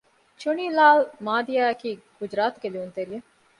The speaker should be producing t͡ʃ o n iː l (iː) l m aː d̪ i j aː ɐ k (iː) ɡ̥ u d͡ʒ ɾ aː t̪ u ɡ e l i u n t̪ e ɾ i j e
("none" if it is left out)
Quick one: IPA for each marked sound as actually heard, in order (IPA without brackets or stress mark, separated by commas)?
aː, iː